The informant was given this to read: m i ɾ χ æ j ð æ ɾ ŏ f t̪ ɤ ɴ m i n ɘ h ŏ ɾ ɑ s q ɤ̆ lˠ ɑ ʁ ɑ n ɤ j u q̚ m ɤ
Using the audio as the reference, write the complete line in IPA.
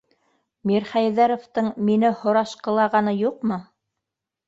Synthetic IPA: m i ɾ χ æ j ð æ ɾ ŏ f t̪ ɤ ɴ m i n ɘ h ŏ ɾ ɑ ʃ q ɤ̆ lˠ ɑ ʁ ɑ n ɤ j u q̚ m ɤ